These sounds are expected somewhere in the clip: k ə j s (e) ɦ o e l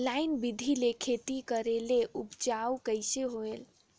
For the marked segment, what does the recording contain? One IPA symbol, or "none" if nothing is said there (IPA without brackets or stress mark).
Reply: e